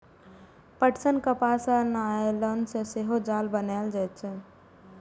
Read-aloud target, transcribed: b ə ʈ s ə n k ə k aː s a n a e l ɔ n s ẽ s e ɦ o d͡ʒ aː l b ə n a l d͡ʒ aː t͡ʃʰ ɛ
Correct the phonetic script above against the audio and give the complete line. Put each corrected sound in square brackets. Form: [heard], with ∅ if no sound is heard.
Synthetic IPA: [p] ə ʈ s ə n k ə [p] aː s a n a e l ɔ n s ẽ s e ɦ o d͡ʒ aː l b ə n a l d͡ʒ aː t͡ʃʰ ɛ